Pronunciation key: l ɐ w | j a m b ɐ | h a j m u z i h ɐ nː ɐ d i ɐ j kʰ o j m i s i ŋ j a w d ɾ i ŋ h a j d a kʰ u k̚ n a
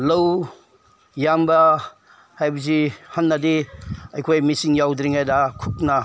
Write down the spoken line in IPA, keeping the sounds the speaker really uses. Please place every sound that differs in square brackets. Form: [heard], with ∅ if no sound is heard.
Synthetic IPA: l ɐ w | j a m b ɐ | h a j [b] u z i h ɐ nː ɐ d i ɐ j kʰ o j m i s i ŋ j a w d ɾ i ŋ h a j d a kʰ u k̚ n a